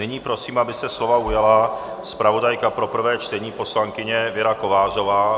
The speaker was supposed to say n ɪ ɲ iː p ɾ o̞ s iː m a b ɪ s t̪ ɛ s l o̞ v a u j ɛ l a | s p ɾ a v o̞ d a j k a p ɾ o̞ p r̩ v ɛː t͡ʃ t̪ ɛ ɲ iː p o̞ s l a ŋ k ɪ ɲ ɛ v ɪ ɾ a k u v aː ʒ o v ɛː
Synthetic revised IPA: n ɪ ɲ iː p ɾ o̞ s iː m a b ɪ s t̪ ɛ s l o̞ v a u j a l a | s p ɾ a v o̞ d a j k a p ɾ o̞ p r̩ v ɛː t͡ʃ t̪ ɛ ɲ iː p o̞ s l a ŋ k ɪ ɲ ɛ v ɪ ɾ a k o v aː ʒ o v aː